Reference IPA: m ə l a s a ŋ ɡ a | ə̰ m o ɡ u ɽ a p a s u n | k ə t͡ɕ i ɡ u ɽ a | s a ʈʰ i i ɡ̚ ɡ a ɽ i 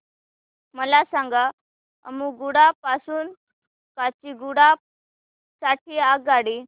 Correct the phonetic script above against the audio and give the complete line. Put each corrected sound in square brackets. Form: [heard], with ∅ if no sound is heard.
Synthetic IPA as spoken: m ə l a s a ŋ ɡ a | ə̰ m [u] ɡ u ɽ a p a s [uː] n | k [a] t͡ɕ i ɡ u ɽ a | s a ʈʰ i [a] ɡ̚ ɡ a ɽ i